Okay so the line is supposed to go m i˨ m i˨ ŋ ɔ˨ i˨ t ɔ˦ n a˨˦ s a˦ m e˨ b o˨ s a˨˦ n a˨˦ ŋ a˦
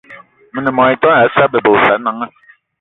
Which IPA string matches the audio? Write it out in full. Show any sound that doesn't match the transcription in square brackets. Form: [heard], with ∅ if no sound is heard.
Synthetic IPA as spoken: m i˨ [n] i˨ [m] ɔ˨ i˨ t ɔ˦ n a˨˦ s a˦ [b] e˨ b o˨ s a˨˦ n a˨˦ ŋ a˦